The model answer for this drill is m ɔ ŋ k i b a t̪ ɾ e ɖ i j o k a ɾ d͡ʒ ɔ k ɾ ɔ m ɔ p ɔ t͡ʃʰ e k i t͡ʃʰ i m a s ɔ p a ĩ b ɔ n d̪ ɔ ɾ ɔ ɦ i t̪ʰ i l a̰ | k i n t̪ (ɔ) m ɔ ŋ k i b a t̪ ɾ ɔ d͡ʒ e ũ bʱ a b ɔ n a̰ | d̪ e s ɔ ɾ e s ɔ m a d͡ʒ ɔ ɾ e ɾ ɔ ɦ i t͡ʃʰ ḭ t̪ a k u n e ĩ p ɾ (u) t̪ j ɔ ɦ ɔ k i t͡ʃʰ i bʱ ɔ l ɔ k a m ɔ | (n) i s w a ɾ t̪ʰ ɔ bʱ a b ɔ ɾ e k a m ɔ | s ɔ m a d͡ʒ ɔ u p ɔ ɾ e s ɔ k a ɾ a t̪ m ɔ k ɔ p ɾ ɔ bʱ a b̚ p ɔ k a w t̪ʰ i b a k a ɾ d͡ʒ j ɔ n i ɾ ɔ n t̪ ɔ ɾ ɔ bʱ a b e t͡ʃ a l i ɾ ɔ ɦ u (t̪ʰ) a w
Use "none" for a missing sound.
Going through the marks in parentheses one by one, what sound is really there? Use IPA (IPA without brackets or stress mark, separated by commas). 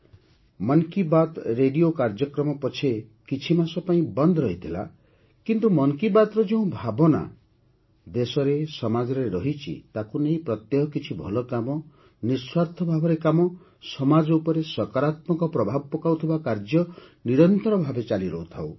u, ɔ, n, t̪ʰ